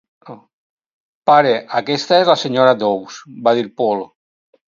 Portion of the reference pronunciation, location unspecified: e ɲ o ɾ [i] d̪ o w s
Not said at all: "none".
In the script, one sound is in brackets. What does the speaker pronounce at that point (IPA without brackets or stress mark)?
a